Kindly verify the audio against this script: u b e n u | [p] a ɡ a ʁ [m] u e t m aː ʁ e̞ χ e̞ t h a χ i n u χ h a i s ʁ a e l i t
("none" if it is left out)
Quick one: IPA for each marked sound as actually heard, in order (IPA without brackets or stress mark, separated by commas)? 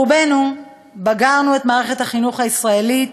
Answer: b, n